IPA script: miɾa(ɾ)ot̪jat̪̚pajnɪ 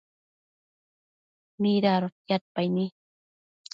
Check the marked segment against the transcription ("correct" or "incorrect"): correct